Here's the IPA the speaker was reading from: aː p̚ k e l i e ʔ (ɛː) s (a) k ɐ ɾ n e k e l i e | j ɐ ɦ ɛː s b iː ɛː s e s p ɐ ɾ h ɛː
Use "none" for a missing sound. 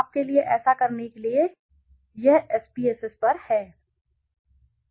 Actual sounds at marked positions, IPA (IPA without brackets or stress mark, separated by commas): ɛː, a